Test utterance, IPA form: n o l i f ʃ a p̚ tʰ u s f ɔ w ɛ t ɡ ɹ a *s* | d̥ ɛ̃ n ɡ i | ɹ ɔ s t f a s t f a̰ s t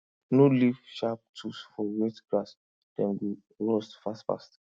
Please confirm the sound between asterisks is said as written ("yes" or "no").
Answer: yes